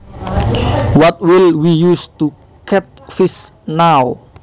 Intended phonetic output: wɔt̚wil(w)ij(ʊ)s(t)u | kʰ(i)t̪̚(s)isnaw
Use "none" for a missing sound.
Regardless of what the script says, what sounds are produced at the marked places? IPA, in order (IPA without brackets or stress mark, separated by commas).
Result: w, u, t, ɛ, f